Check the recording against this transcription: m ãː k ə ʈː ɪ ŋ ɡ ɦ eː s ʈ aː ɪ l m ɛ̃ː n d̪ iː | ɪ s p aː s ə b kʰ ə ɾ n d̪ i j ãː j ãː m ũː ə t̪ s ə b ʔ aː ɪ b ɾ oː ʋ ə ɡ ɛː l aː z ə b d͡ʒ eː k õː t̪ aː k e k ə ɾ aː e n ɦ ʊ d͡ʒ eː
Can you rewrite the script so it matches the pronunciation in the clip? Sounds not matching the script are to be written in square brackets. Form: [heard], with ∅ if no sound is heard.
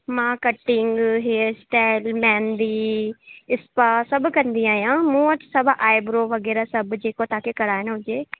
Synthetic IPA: m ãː k ə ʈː ɪ ŋ ɡ ɦ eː s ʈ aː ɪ l m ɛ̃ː n d̪ iː | ɪ s p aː s ə b [k] ə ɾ n d̪ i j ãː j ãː m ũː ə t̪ s ə b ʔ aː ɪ b ɾ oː ʋ ə ɡ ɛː [ɾ] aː [s] ə b d͡ʒ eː k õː t̪ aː k e k ə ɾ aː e n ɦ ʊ d͡ʒ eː